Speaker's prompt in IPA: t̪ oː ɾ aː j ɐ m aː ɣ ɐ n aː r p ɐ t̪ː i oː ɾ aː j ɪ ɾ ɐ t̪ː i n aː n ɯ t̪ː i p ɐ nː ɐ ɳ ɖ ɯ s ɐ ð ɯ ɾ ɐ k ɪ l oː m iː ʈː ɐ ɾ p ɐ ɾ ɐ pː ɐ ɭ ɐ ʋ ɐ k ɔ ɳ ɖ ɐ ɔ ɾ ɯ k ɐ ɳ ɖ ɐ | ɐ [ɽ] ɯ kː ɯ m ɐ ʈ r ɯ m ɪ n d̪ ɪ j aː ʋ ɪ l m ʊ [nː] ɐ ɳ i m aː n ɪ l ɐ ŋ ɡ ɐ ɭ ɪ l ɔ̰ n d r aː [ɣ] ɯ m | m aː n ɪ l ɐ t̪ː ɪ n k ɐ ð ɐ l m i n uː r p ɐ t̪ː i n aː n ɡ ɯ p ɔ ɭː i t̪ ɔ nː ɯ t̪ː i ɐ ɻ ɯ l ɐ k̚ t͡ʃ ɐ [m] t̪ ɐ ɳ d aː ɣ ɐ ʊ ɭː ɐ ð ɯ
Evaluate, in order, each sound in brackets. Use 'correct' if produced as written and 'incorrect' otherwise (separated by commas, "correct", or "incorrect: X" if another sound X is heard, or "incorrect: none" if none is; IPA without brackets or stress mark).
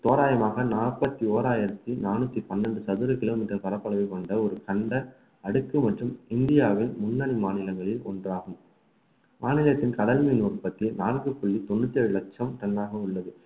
correct, correct, correct, correct